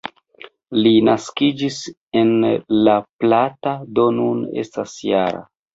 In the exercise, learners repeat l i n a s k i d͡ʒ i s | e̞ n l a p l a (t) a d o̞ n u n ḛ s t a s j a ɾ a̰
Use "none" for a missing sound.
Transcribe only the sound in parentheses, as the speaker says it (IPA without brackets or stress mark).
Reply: t